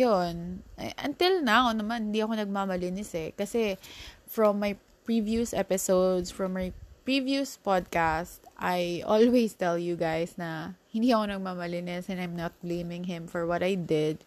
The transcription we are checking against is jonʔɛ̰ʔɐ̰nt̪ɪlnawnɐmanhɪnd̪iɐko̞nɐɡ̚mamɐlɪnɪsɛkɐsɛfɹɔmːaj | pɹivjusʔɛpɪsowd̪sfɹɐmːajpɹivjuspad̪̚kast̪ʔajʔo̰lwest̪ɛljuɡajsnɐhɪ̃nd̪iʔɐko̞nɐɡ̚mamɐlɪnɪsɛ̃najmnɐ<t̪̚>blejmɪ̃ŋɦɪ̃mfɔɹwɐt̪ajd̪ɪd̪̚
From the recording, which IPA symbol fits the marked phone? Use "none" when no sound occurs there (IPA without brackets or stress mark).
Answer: t̪̚